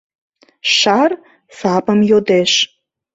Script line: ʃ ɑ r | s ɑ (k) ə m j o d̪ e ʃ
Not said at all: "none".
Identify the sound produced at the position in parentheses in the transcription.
p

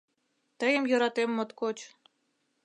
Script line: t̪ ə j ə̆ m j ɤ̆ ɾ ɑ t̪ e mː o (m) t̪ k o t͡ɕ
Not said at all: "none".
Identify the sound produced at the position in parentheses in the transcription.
none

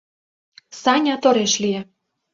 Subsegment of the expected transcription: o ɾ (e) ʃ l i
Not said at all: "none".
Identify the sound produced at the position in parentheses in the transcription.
e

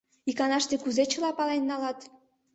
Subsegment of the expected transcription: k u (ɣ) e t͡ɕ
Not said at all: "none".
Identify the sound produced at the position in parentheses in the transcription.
z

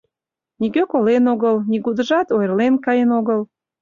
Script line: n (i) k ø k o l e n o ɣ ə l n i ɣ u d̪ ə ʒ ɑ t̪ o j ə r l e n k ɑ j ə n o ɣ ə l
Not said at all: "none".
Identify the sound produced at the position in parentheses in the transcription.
i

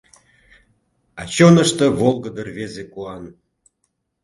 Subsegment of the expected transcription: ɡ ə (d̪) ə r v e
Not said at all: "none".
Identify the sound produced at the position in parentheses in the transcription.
d̪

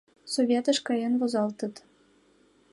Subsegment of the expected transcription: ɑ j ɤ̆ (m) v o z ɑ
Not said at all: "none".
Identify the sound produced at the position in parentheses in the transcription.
n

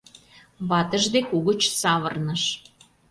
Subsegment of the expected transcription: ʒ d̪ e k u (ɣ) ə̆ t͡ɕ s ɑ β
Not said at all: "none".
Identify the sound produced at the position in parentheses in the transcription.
ɣ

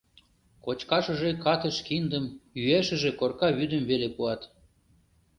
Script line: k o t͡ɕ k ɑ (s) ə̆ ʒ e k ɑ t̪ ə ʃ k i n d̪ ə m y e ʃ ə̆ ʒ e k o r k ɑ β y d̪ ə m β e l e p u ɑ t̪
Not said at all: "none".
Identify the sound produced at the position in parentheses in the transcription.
ʃ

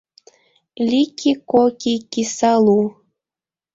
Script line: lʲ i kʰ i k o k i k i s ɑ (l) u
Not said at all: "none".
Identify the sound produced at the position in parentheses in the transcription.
l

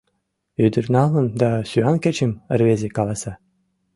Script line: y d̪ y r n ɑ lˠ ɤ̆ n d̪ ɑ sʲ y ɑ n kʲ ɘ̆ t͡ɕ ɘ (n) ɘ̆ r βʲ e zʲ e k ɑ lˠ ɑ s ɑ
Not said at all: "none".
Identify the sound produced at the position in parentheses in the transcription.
m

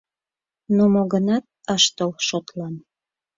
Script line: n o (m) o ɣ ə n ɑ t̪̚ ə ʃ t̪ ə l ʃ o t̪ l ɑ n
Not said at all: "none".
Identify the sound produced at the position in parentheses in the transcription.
m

